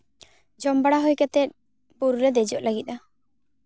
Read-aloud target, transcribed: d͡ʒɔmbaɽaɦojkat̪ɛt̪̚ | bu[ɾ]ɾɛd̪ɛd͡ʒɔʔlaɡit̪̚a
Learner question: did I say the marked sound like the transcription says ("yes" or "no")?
yes